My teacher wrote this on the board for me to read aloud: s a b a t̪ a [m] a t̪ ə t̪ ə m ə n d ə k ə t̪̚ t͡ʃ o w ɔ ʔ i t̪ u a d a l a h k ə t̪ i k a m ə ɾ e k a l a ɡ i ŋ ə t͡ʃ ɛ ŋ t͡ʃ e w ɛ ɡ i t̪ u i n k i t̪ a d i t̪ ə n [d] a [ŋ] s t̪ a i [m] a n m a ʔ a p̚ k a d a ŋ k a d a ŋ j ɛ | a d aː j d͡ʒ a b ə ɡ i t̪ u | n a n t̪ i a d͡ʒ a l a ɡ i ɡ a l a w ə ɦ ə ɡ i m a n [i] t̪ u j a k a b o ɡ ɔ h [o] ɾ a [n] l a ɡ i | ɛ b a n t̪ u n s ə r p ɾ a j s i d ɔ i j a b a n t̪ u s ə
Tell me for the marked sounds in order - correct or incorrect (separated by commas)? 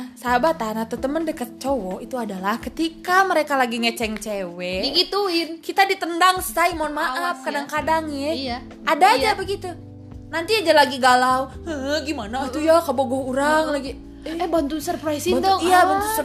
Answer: incorrect, correct, correct, correct, incorrect, incorrect, incorrect